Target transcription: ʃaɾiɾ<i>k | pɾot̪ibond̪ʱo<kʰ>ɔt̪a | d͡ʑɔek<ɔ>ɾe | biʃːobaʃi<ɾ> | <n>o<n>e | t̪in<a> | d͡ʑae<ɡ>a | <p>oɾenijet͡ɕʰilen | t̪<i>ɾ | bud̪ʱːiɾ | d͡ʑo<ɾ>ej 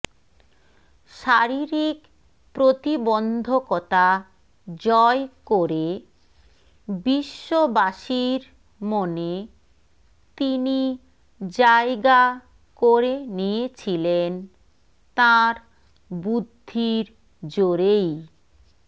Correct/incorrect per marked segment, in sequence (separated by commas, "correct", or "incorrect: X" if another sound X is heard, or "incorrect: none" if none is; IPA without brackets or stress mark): correct, incorrect: k, incorrect: o, correct, incorrect: m, correct, incorrect: i, correct, incorrect: k, incorrect: a, correct